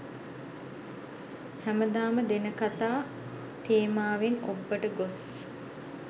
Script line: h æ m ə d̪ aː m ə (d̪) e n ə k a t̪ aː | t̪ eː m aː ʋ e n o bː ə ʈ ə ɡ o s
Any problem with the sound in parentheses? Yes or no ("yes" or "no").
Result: no